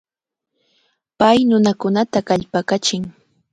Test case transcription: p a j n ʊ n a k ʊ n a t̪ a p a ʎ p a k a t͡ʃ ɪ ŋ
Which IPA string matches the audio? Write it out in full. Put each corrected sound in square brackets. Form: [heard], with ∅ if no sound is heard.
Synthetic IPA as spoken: p a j n ʊ n a k ʊ n a t̪ a [k] a ʎ p a k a t͡ʃ ɪ ŋ